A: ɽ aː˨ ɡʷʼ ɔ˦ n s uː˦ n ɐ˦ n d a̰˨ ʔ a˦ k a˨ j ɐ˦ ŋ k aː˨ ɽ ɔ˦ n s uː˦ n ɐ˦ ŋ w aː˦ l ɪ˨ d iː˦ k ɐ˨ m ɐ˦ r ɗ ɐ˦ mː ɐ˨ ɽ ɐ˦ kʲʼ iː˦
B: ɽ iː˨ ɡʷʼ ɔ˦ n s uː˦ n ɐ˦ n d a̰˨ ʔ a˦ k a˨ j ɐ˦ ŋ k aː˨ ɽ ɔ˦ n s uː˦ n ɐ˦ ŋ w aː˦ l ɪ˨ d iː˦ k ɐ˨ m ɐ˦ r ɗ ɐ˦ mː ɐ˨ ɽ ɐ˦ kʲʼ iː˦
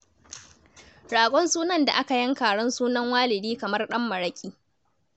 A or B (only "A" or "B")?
A